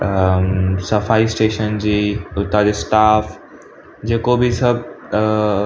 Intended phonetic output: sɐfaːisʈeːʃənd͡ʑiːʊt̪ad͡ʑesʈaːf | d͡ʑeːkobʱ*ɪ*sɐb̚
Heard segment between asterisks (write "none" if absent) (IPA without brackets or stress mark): i